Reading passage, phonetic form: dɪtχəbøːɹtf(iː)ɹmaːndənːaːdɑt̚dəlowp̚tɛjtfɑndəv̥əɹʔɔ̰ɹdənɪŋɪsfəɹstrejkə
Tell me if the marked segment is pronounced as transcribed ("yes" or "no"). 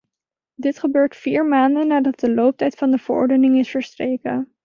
yes